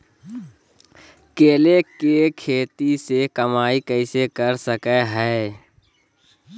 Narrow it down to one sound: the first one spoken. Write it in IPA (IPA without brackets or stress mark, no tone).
k